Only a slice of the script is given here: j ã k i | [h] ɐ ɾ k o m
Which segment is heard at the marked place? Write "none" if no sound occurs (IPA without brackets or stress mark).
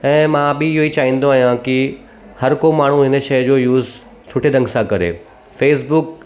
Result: h